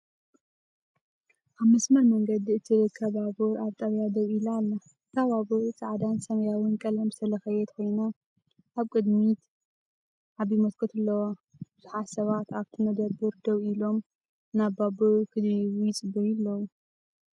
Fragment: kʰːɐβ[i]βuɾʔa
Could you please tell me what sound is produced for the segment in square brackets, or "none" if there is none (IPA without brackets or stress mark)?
a